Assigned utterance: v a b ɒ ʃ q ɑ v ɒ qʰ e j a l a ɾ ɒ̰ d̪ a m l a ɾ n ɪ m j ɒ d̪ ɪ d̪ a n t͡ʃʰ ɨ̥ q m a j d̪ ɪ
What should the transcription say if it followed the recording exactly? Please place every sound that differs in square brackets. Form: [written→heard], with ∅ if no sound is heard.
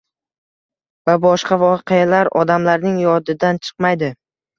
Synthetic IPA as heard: v a b ɒ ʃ q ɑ v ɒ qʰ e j a l a ɾ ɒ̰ d̪ a m l a ɾ n ɪ [m→ŋ] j ɒ d̪ ɪ d̪ a n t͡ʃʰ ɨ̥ q m a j d̪ ɪ